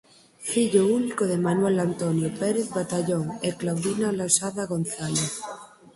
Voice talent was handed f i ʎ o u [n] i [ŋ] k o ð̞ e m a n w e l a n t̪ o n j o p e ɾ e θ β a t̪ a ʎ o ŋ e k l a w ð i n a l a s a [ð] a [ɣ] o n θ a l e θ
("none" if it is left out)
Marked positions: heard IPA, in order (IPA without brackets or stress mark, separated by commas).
n, none, ð, ɣ